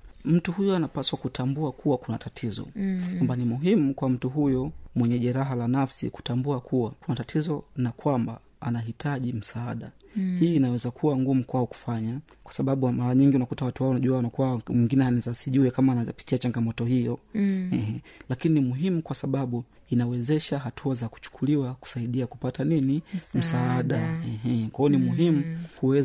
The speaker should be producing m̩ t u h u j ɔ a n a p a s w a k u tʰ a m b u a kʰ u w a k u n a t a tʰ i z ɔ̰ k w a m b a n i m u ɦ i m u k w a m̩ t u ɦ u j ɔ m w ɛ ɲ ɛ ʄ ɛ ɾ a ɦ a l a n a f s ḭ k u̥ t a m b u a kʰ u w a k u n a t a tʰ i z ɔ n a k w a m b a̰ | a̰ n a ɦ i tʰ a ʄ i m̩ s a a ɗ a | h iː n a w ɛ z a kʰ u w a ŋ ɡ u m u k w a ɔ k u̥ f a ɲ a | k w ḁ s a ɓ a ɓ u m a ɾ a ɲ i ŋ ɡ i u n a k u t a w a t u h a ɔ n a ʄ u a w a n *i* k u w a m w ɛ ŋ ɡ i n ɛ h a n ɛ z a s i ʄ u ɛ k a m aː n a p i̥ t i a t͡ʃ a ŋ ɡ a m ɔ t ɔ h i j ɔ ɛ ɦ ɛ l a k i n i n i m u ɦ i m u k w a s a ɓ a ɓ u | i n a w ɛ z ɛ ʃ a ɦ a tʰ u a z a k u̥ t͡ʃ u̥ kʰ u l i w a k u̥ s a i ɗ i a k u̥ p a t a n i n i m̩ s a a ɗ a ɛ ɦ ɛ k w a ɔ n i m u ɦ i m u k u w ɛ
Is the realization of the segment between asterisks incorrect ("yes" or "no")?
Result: yes